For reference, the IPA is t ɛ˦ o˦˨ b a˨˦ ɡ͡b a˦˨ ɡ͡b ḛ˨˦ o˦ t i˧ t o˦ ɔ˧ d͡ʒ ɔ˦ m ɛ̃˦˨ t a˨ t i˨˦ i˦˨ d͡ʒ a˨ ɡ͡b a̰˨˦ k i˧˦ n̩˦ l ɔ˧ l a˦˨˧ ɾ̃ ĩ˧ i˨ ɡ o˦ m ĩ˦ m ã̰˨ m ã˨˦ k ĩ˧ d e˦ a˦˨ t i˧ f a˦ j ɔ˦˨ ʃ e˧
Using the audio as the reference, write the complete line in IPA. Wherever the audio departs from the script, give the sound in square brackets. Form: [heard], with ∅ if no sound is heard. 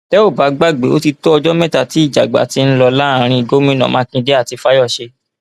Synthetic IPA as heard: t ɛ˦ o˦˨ b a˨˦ ɡ͡b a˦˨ ɡ͡b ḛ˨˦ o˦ t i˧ t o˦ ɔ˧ d͡ʒ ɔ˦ m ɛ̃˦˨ t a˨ t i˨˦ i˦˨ d͡ʒ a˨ ɡ͡b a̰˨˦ [t] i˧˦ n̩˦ l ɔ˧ l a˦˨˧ ɾ̃ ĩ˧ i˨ ɡ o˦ m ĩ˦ [n] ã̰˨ m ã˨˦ k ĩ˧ d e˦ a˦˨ t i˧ f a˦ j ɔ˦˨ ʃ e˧